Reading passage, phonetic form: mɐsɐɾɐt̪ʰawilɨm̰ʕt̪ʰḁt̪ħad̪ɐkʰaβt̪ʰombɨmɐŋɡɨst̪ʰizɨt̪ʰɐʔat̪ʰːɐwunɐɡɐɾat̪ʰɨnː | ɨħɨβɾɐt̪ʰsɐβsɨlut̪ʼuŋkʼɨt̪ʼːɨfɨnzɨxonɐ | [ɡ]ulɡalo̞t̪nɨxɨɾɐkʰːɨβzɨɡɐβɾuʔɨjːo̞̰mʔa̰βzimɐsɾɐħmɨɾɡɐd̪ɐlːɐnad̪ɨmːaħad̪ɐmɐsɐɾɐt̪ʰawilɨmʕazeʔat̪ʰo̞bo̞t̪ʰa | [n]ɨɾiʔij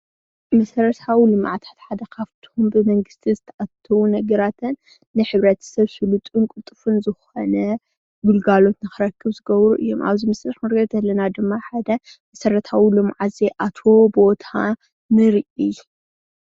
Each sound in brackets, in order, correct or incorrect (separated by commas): correct, correct